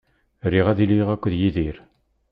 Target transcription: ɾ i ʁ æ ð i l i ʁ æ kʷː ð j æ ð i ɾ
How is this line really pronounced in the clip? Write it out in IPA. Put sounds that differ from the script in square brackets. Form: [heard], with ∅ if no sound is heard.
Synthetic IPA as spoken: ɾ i ʁ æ ð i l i ʁ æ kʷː ð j [i] ð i ɾ